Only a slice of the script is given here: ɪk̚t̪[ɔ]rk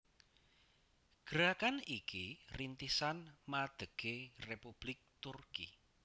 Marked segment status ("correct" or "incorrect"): incorrect